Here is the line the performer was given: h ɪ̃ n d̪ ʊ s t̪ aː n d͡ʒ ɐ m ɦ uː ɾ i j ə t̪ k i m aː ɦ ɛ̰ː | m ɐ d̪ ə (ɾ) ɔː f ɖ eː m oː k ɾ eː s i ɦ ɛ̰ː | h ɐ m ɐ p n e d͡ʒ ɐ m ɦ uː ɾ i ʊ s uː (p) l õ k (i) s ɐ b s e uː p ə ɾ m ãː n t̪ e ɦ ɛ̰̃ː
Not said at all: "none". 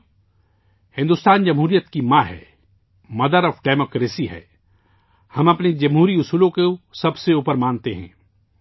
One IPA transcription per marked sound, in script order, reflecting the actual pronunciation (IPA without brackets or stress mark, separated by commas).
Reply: ɾ, none, e